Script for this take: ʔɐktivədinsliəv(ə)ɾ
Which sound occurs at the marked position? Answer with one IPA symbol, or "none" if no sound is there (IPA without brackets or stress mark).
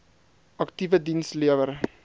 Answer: ə